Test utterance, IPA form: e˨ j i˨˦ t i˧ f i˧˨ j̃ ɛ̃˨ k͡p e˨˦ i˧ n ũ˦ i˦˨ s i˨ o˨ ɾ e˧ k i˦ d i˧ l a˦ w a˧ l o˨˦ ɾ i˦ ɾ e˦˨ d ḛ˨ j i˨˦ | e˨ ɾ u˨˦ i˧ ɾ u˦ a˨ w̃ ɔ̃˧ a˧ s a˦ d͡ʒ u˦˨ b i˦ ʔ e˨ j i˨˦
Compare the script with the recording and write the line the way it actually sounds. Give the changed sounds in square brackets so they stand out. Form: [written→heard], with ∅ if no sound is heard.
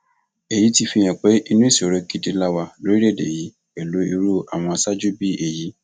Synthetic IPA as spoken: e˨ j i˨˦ t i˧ f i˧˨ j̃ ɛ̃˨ k͡p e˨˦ i˧ n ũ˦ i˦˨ s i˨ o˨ ɾ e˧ k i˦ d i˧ l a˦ w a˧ l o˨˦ ɾ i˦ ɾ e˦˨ d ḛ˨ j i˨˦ | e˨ [ɾ→l] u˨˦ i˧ ɾ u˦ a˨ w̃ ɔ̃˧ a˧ s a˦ d͡ʒ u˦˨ b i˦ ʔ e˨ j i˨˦